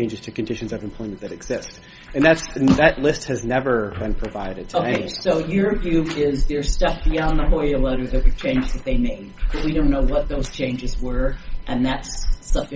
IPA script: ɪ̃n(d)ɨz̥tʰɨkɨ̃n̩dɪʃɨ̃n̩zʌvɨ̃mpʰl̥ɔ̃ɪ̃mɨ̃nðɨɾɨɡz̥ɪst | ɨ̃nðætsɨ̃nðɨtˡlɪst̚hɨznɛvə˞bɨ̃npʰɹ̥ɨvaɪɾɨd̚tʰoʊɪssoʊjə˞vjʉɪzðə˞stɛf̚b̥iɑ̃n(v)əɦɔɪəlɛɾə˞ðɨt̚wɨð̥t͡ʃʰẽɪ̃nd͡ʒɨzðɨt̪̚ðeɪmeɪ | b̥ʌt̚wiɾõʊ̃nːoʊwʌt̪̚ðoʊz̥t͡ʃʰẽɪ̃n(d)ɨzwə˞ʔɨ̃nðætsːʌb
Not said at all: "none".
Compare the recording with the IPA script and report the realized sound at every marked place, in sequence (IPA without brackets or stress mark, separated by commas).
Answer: d͡ʒ, ð, d͡ʒ